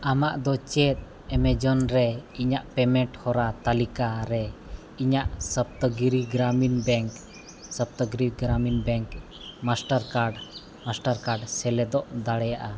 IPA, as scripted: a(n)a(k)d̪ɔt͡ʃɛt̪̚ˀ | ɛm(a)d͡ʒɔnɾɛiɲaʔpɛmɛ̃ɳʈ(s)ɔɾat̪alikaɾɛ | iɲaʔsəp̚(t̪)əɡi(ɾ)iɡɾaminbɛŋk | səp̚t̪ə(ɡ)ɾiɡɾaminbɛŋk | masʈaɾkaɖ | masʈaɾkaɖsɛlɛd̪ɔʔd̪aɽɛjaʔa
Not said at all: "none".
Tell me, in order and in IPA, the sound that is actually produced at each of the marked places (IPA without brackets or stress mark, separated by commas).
m, ʔ, ɛ, h, t̪, ɾ, ɡ